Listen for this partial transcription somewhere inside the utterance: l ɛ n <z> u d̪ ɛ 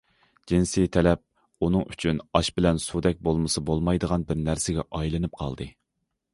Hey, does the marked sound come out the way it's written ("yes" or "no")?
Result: no